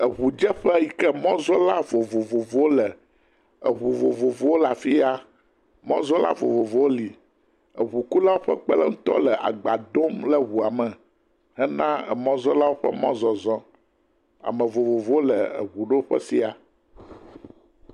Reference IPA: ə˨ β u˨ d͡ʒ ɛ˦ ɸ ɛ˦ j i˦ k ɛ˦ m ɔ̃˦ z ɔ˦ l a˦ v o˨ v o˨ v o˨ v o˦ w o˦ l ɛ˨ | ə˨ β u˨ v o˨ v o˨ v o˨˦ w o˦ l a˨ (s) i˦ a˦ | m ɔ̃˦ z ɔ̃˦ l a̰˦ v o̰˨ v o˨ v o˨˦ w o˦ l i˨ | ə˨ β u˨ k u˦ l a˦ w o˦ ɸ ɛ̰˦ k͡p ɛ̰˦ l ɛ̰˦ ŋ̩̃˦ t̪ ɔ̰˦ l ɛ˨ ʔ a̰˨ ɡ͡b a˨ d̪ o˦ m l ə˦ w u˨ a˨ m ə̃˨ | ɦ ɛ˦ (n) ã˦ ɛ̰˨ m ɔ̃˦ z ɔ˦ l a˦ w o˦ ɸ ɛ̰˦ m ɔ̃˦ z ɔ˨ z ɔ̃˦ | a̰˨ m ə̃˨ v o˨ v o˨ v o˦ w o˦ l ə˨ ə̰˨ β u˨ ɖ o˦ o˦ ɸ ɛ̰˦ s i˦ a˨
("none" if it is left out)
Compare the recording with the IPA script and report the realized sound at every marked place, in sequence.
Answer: f, n

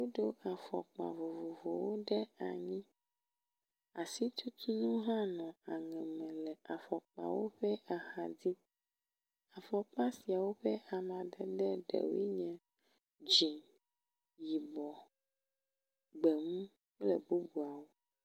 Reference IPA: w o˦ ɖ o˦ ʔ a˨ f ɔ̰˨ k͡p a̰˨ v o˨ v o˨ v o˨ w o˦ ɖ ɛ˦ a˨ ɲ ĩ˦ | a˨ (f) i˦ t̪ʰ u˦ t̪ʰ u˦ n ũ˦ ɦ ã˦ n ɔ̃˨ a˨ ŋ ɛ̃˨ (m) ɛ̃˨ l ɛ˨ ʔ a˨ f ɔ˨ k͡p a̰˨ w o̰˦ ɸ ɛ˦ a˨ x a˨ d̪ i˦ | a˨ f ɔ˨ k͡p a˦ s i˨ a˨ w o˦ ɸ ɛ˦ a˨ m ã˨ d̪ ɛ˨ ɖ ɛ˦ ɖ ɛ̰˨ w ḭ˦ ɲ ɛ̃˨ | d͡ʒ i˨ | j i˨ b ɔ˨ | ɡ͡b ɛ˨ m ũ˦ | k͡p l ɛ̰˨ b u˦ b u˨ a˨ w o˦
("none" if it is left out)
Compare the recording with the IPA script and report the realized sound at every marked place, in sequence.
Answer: s, m

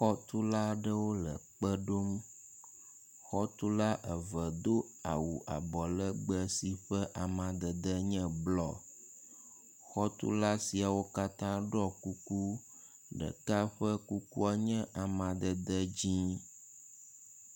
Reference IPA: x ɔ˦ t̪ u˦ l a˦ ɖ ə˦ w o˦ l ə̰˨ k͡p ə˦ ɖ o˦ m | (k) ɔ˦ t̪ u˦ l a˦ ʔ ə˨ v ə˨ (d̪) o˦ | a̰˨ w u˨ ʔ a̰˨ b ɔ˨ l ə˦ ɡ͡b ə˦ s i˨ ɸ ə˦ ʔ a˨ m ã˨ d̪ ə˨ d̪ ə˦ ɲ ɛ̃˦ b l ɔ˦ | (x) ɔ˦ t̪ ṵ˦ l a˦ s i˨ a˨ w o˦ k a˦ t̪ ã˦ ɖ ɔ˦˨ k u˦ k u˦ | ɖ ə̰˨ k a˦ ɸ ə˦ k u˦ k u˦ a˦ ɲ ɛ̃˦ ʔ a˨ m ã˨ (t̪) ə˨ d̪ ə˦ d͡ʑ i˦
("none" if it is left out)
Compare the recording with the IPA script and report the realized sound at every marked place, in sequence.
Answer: x, d̪, x, d̪

